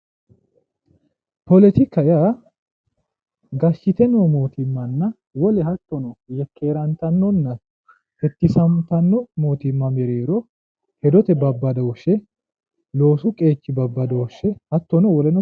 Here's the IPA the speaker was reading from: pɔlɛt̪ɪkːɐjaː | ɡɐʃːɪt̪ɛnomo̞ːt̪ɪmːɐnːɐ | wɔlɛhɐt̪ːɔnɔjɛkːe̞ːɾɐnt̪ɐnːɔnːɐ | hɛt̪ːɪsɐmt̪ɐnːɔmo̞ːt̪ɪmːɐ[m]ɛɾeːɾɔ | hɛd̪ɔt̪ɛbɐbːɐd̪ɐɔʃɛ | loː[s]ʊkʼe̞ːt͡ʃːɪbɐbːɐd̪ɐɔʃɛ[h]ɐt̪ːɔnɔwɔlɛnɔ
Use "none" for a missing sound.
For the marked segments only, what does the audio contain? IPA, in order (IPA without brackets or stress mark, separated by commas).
m, s, h